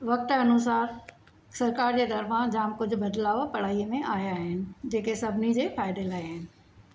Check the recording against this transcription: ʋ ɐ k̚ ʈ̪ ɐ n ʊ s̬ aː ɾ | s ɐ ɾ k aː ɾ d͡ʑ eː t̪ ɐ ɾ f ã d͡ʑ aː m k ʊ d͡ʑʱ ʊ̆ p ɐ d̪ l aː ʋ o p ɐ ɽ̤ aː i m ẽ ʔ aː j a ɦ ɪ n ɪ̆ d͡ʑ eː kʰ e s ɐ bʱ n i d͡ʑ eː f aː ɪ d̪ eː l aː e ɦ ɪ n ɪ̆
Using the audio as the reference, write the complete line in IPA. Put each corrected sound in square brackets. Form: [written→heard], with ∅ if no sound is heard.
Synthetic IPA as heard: ʋ ɐ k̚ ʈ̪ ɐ n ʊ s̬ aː ɾ | s ɐ ɾ k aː ɾ d͡ʑ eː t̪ ɐ ɾ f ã d͡ʑ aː m k ʊ d͡ʑʱ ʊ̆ [p→b] ɐ d̪ l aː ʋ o p ɐ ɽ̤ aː i m ẽ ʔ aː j a ɦ ɪ n ɪ̆ d͡ʑ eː [kʰ→k] e s ɐ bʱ n i d͡ʑ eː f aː ɪ d̪ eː l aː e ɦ ɪ n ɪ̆